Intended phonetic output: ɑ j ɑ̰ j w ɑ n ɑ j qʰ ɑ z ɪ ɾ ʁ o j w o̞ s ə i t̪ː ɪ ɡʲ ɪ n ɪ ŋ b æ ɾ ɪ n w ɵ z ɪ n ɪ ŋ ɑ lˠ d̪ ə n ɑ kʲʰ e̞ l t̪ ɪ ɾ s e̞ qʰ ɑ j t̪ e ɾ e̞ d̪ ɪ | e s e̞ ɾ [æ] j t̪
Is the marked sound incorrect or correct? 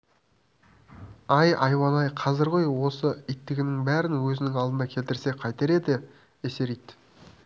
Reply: incorrect